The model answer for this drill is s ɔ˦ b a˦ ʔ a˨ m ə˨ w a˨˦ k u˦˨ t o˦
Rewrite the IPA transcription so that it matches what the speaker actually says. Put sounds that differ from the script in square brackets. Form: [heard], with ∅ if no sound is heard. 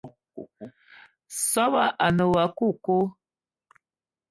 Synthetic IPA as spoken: s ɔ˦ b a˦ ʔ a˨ [n] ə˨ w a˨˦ k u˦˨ [k] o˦